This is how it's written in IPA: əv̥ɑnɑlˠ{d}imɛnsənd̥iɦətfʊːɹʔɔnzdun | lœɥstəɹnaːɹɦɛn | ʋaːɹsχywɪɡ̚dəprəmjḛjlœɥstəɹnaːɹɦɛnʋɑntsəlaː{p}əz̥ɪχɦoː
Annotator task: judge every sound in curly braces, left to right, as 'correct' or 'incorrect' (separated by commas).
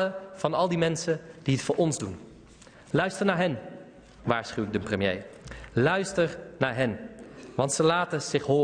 correct, incorrect